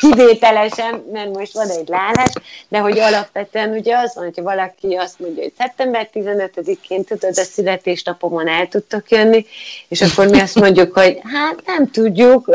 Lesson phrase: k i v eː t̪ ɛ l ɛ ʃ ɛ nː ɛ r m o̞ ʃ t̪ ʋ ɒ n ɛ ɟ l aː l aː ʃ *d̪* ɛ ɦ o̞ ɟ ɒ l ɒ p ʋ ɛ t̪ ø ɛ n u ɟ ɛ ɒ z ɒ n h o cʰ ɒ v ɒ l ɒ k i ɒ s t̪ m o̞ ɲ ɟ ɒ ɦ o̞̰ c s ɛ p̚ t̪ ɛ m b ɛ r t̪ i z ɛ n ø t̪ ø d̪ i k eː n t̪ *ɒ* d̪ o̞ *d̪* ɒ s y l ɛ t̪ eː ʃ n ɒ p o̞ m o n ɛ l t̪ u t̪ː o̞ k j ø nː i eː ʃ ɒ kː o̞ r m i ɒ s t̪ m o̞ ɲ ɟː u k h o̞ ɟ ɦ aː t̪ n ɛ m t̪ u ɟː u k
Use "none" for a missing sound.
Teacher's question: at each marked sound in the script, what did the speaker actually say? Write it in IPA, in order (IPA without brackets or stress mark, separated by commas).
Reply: d̪, u, d̪